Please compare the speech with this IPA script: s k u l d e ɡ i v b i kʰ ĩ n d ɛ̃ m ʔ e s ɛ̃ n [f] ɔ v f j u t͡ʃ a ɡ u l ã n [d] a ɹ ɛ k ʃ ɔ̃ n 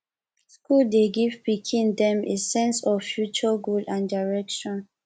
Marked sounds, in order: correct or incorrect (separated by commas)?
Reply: incorrect, correct